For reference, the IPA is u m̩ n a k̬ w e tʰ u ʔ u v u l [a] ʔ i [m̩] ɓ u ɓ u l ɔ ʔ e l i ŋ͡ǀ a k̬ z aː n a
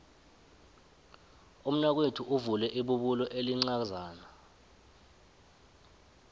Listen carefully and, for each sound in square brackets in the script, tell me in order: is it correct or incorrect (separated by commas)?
incorrect, incorrect